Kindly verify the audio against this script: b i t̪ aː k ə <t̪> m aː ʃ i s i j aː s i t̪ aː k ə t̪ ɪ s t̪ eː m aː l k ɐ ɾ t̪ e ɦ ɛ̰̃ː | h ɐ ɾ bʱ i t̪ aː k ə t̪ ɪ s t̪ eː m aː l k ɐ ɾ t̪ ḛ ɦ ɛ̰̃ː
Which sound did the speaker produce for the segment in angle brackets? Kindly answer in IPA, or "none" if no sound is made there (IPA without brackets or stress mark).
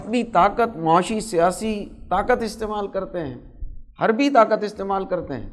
t̪